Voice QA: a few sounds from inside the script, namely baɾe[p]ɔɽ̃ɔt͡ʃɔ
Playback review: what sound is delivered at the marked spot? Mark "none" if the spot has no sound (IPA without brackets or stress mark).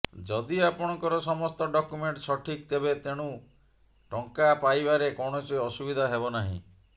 k